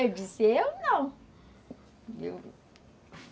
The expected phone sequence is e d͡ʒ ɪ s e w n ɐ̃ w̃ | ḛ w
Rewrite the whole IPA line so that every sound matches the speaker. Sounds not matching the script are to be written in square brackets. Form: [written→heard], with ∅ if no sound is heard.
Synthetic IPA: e d͡ʒ [ɪ→i] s e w n ɐ̃ w̃ | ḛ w